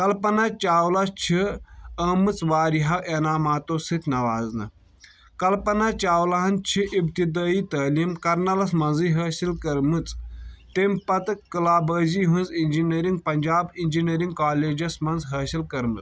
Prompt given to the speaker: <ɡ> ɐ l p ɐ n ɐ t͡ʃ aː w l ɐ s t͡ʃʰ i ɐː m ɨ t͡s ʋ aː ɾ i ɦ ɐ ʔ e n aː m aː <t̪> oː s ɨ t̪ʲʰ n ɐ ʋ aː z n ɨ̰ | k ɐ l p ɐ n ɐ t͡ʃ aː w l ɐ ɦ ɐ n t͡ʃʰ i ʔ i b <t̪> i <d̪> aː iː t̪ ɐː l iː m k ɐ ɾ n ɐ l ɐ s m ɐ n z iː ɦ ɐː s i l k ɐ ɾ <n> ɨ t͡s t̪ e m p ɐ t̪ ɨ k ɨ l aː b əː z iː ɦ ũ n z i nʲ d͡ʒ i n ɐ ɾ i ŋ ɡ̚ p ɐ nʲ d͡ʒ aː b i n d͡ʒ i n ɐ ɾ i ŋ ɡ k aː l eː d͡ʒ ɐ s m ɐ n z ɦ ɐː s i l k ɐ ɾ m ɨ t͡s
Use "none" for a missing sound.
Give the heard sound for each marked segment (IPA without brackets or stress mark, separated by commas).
k, t̪, t̪, d̪, m